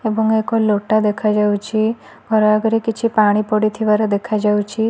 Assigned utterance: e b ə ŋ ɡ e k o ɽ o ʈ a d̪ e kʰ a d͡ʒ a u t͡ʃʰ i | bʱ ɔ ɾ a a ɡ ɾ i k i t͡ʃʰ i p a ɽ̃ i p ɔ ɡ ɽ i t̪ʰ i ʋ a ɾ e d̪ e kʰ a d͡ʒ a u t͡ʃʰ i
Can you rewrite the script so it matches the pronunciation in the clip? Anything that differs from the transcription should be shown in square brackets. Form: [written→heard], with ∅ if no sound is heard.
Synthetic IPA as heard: e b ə ŋ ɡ e k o [ɽ→l] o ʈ a d̪ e kʰ a d͡ʒ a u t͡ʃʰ i | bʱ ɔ ɾ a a ɡ ɾ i k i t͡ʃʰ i p a ɽ̃ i p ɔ [ɡ→∅] ɽ i t̪ʰ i ʋ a ɾ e d̪ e kʰ a d͡ʒ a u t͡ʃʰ i